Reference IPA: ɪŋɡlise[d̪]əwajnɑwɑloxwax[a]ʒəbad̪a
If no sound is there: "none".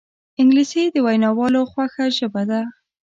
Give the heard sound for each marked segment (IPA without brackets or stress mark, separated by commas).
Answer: d̪, a